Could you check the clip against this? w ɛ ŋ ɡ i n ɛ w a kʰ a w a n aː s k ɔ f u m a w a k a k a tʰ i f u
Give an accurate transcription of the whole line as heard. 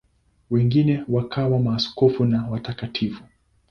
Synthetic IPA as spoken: w ɛ ŋ ɡ i n ɛ w a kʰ a w a m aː s k ɔ f u n a w a t a k a tʰ i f u

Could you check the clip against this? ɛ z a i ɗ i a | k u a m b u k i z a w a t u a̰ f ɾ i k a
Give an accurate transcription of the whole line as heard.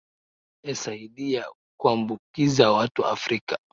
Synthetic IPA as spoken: ɛ s a i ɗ i a | k u a m b u k i z a w a t u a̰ f ɾ i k a

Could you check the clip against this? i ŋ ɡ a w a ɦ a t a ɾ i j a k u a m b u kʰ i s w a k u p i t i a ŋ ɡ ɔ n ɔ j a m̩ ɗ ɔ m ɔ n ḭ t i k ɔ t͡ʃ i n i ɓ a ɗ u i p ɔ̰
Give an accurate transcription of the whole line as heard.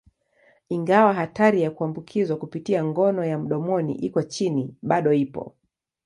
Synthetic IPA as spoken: i ŋ ɡ a w a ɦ a t a ɾ i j a k u a m b u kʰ i z w a k u p i t i a ŋ ɡ ɔ n ɔ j a m̩ ɗ ɔ m ɔ n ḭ ʔ i k ɔ t͡ʃ i n i ɓ a ɗ ɔ i p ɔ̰

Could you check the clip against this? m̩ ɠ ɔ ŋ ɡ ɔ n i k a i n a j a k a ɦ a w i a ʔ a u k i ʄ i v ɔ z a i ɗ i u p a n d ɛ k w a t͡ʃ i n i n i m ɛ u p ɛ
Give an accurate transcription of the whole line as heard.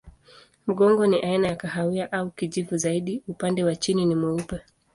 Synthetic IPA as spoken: m̩ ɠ ɔ ŋ ɡ ɔ n i ʔ a i n a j a k a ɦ a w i a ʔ a u k i ʄ i v u z a i ɗ i u p a n d ɛ w a t͡ʃ i n i n i m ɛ u p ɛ

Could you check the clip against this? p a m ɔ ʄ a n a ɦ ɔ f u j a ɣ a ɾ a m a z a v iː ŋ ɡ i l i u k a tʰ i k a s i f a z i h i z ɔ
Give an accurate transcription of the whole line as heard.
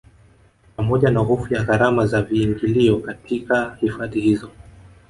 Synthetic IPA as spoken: p a m ɔ ʄ a n a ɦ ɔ f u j a ɣ a ɾ a m a z a v iː ŋ ɡ i l i ɔ k a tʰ i k a h i f a ð i h i z ɔ

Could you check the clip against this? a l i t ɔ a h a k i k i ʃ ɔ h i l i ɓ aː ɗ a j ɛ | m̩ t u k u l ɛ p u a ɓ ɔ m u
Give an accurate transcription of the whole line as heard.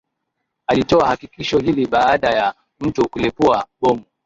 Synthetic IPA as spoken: a l i t ɔ a h a k i k i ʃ ɔ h i l i ɓ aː ɗ a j a | m̩ t u k u l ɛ p u a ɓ ɔ m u

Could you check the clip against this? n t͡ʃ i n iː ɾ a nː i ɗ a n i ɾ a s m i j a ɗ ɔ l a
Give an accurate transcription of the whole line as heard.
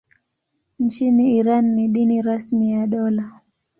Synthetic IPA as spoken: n t͡ʃ i n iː ɾ a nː i ɗ i n i ɾ a s m i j a ɗ ɔ l a

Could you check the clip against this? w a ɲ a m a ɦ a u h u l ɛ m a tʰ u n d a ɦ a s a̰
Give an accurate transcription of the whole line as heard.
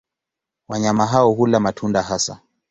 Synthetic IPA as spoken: w a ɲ a m a ɦ a ɔ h u l a m a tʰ u n d a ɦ a s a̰

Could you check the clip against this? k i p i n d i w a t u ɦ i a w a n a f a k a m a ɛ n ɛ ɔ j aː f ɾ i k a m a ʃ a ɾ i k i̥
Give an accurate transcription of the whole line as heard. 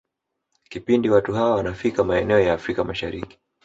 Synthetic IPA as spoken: k i p i n d i w a t u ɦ a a w a n a f i k a m a ɛ n ɛ ɔ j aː f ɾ i k a m a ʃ a ɾ i k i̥

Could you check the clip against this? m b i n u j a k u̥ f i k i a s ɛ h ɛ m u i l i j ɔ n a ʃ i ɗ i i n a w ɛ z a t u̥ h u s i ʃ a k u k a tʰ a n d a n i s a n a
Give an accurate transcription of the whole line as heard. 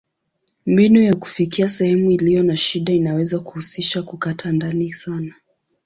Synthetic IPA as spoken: m b i n u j a k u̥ f i k i a s ɛ h ɛ m u i l i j ɔ n a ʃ i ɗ a i n a w ɛ z a k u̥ h u s i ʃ a k u k a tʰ a n d a n i s a n a

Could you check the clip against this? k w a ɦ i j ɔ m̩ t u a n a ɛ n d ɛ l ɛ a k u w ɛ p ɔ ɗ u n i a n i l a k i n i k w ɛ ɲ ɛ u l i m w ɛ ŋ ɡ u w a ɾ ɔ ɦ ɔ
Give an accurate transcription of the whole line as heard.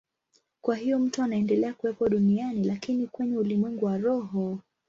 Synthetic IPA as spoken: k w a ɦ i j ɔ m̩ t u a n a ɛ n d ɛ l ɛ a k u w ɛ p ɔ ɗ u n i a n i l a k i n i k w ɛ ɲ ɛ u l i m w ɛ ŋ ɡ u w a ɾ ɔ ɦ ɔ

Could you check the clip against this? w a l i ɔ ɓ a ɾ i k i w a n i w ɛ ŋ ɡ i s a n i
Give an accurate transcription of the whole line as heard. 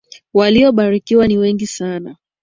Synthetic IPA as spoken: w a l i ɔ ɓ a ɾ i k i w a n i w ɛ ŋ ɡ i s a n a

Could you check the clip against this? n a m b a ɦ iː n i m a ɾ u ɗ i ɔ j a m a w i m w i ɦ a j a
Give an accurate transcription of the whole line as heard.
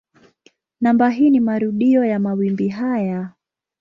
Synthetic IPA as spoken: n a m b a ɦ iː n i m a ɾ u ɗ i ɔ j a m a w i m b i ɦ a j a

